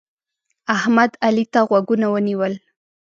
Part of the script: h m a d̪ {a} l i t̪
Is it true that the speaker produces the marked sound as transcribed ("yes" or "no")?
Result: yes